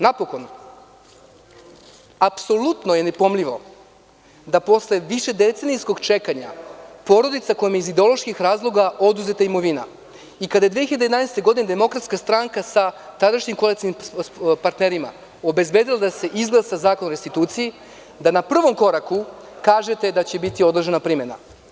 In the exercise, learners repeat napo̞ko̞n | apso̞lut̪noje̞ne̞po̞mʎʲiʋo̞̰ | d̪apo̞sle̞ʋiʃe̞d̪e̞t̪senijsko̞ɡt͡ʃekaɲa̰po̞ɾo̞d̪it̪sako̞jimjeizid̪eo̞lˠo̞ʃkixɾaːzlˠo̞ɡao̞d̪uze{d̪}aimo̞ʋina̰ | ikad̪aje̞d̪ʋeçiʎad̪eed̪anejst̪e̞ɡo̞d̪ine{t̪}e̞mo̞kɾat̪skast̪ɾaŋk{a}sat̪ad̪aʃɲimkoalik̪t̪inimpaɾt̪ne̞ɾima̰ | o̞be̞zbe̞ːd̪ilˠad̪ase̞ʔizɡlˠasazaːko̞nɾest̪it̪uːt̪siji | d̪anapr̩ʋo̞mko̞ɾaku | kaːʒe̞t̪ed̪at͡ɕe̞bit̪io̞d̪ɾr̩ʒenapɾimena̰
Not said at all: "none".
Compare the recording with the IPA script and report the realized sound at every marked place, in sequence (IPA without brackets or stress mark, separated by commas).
t̪, d̪, a